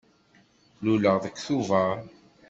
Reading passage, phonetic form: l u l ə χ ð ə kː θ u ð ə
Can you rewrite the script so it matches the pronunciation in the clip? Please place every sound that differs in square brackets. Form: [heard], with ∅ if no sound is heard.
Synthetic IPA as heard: l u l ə [ʁ] ð ə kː θ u [v] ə